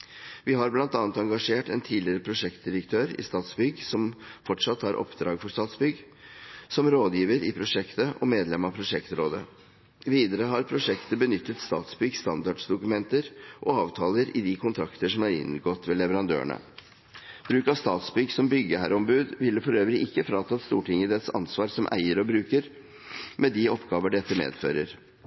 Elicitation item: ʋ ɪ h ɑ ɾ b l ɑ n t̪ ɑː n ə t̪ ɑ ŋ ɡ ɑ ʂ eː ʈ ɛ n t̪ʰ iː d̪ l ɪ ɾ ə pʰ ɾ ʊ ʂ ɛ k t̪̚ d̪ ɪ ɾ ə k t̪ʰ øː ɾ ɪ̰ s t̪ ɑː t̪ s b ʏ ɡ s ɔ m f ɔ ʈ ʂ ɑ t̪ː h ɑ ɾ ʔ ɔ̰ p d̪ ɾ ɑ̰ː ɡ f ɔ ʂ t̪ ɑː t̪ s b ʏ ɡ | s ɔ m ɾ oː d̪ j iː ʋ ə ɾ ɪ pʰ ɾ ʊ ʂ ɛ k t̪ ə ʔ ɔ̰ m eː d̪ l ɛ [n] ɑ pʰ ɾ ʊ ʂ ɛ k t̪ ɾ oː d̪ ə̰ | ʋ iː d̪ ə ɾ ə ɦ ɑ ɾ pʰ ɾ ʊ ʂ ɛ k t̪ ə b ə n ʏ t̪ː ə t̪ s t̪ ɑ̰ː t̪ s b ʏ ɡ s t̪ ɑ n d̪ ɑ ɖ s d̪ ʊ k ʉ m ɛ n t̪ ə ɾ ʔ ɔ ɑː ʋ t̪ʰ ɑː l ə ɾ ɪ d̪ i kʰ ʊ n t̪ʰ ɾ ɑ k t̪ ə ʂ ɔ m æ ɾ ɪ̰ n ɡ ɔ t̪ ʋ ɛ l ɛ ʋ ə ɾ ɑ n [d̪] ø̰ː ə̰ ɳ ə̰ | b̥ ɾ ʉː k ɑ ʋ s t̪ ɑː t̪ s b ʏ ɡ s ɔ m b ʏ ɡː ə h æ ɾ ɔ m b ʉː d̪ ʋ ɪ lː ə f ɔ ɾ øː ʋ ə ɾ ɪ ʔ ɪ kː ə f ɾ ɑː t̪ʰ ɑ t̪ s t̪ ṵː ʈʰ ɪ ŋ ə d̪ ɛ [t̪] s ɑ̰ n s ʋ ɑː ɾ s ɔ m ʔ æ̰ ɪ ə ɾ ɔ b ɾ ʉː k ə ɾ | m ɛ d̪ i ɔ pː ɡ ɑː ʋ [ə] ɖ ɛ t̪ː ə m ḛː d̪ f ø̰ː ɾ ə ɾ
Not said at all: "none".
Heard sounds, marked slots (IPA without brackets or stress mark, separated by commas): m, d̪, t̪, ə